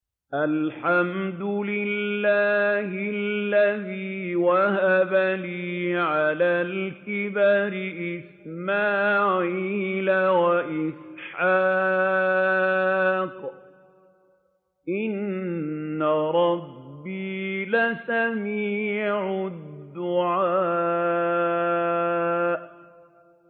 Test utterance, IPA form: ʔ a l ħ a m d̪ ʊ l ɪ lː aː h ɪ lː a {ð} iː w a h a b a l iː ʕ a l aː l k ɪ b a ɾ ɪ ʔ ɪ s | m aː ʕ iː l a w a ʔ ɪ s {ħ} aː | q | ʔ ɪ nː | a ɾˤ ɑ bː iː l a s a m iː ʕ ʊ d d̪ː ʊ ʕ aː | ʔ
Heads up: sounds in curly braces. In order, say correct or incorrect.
correct, correct

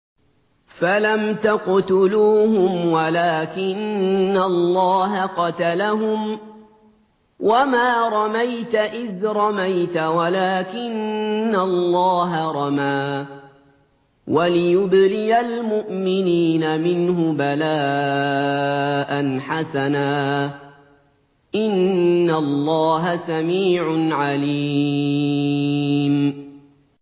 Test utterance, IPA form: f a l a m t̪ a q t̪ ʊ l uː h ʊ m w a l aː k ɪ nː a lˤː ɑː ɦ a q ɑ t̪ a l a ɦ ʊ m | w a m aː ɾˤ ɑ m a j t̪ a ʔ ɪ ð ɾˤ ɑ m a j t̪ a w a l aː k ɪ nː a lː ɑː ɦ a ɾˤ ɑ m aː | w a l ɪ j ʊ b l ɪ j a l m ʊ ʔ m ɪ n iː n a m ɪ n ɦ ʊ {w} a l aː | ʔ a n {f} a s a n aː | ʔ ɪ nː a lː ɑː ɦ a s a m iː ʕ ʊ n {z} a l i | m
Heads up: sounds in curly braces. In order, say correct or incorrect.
incorrect: b, incorrect: ħ, incorrect: ʕ

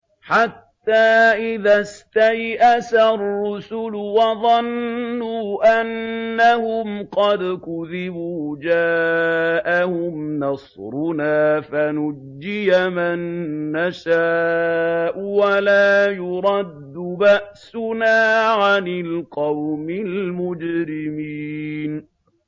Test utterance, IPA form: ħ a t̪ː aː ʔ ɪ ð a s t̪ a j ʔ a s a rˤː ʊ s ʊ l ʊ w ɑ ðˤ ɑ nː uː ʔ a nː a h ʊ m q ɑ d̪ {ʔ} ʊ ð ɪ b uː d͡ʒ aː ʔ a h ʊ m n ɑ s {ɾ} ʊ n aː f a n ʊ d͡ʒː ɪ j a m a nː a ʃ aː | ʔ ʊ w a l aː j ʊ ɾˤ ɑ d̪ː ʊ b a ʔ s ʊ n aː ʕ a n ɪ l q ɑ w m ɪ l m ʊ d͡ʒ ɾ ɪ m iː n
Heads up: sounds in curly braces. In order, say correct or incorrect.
incorrect: k, correct

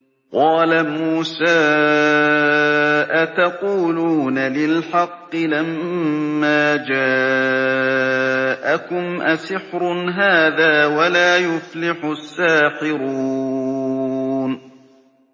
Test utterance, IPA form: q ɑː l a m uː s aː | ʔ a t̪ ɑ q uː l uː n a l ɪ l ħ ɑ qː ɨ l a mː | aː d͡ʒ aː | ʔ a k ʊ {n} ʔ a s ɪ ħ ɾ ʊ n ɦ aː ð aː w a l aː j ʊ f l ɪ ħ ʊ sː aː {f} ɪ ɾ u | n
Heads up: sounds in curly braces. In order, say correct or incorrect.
incorrect: m, incorrect: ħ

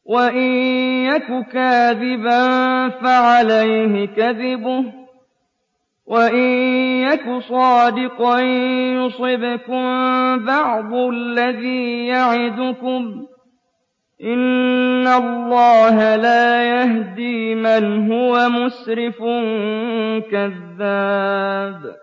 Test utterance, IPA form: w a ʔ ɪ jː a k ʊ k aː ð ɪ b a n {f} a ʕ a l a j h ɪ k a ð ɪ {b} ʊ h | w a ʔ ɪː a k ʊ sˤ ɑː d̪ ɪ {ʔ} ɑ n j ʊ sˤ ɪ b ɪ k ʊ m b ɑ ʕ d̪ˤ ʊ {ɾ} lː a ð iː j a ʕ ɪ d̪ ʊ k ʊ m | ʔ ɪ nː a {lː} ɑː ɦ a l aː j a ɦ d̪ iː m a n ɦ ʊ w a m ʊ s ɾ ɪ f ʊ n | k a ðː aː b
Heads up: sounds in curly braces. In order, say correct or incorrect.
correct, correct, incorrect: q, incorrect: l, correct

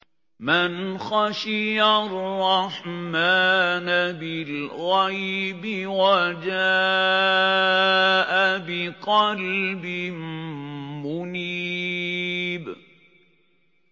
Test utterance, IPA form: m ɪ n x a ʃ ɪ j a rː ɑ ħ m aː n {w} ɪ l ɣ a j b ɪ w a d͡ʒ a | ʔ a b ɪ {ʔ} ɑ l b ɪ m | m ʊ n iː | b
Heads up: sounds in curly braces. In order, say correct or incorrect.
incorrect: b, incorrect: q

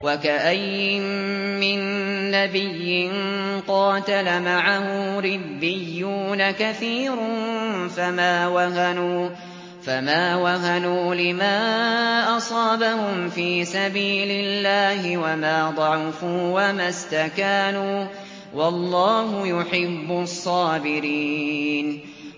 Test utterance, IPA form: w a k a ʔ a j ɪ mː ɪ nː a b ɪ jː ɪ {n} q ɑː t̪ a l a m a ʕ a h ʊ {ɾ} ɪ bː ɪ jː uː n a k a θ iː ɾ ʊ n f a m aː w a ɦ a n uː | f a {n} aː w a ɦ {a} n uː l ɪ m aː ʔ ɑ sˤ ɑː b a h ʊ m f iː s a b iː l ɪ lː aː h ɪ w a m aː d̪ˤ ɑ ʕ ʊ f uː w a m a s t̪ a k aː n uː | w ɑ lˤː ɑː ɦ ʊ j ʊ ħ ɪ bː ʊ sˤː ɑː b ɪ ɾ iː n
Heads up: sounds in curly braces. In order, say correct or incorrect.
correct, correct, incorrect: m, correct

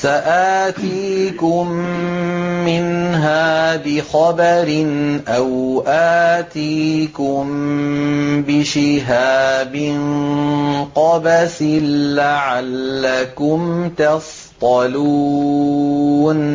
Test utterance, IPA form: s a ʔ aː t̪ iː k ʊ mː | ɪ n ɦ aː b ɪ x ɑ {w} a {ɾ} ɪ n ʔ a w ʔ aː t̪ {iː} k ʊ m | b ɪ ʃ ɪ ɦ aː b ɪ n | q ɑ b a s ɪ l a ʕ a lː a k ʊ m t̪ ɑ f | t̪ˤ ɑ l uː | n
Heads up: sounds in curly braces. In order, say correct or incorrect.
incorrect: b, correct, correct

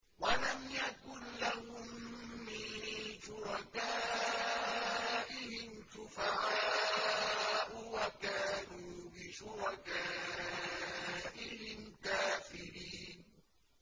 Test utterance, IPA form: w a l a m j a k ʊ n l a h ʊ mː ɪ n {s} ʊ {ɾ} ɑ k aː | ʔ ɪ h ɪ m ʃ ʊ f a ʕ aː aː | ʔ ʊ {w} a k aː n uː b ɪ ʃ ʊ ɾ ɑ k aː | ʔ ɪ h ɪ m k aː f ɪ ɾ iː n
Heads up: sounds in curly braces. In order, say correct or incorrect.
incorrect: ʃ, correct, correct

